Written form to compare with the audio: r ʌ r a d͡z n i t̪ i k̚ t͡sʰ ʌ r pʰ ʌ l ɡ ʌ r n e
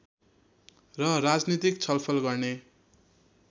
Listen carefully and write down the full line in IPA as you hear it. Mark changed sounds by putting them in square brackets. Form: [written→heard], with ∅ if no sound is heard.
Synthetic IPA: r ʌ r a d͡z n i t̪ i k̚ t͡sʰ ʌ [r→l] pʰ ʌ l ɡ ʌ r n e